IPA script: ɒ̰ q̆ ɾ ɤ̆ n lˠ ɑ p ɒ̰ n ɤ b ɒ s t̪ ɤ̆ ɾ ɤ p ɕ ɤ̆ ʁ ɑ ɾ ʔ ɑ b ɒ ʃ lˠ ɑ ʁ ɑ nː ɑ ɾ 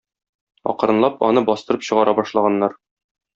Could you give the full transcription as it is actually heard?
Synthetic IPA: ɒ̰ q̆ ɾ ɤ̆ n lˠ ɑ p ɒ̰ n ɤ b ɒ s t̪ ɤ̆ ɾ ɤ p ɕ ɤ̆ ʁ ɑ ɾ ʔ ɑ b ɒ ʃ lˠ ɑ ʁ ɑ nː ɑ ɾ